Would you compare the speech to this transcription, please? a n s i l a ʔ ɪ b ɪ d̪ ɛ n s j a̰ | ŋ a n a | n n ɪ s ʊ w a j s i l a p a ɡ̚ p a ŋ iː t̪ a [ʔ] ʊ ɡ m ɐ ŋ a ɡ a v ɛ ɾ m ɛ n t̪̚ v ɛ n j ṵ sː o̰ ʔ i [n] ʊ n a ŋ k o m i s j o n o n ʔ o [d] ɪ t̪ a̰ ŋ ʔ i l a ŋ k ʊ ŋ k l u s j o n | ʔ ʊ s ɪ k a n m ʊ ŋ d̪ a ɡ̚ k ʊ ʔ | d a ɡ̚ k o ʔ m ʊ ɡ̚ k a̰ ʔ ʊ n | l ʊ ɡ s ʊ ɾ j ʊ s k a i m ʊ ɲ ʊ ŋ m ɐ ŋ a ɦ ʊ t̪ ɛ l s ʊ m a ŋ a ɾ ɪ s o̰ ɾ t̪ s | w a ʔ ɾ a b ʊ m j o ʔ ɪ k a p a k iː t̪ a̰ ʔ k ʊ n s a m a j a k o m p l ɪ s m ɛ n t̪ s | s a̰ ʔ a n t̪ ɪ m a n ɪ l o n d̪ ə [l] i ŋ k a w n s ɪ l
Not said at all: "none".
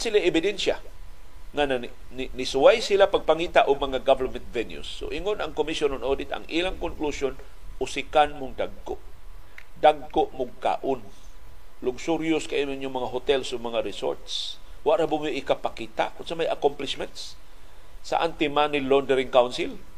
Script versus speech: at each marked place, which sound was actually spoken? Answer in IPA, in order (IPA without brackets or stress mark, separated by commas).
ʔ, ŋ, d, ɾ